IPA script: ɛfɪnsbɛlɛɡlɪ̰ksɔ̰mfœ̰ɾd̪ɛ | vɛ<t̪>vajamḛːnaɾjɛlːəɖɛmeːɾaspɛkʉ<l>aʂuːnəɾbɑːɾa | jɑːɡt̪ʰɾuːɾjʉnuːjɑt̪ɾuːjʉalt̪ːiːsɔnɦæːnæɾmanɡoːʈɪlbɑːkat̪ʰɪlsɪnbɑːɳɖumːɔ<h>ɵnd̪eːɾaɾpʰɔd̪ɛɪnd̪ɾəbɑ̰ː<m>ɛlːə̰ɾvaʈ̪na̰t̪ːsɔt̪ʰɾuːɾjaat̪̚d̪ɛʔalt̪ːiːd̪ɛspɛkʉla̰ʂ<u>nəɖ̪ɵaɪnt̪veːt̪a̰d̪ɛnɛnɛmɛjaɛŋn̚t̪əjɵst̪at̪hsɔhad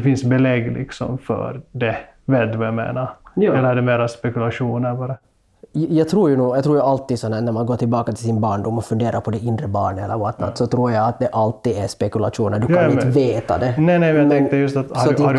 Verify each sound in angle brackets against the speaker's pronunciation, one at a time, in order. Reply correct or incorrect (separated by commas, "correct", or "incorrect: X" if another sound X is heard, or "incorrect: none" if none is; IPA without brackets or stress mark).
incorrect: d̪, correct, incorrect: f, incorrect: ɳ, incorrect: uː